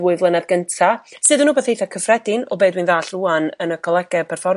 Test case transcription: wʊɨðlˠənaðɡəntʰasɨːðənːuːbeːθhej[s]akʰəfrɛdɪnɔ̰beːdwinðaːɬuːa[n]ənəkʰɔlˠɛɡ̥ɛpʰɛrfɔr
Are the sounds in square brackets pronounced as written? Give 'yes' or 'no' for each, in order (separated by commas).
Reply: no, yes